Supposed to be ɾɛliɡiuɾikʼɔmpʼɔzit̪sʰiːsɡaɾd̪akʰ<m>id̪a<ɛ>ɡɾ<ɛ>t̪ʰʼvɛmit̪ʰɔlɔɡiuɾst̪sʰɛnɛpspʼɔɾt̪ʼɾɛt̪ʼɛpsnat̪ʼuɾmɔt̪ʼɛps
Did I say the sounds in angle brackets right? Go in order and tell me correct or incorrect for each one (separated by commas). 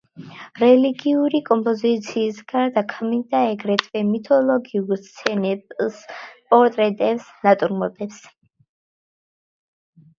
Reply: correct, correct, correct